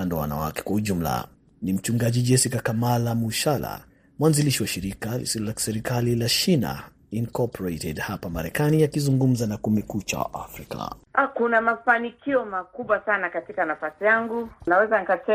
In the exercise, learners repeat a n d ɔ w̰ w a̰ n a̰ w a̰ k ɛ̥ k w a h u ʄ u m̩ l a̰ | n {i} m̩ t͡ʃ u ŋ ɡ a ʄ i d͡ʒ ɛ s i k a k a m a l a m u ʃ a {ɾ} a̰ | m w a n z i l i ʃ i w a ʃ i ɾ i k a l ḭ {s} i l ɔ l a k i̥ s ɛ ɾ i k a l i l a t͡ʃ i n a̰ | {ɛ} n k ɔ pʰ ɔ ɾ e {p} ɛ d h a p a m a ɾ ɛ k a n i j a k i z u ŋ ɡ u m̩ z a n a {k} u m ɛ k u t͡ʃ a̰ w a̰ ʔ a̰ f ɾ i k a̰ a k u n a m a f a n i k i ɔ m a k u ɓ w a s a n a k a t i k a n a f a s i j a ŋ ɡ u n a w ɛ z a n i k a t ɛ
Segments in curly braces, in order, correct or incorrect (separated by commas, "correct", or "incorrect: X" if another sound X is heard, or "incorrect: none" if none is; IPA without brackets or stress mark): correct, incorrect: l, correct, incorrect: i, incorrect: t, correct